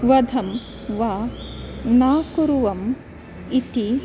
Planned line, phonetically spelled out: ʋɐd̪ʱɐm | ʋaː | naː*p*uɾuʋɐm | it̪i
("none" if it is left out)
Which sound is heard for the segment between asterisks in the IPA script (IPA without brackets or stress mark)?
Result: k